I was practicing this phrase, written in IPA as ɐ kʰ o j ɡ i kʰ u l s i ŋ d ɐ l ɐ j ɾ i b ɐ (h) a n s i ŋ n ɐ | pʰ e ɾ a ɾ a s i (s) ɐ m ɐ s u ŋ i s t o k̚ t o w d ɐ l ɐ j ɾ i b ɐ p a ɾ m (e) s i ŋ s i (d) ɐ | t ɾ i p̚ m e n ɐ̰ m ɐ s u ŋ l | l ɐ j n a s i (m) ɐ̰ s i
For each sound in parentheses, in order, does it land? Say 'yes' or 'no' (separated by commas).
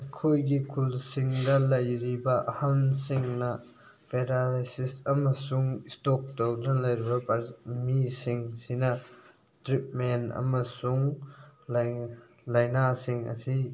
yes, yes, no, no, no